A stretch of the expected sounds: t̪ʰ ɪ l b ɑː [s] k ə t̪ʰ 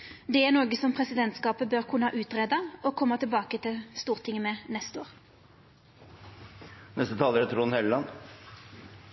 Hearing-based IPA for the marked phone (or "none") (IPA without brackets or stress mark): none